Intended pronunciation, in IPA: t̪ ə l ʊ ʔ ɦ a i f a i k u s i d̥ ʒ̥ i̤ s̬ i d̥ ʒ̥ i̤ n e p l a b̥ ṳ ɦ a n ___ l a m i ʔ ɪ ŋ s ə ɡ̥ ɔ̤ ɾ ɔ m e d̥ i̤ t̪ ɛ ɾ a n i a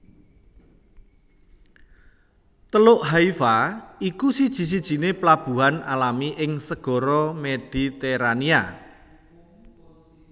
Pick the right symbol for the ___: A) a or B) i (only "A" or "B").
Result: A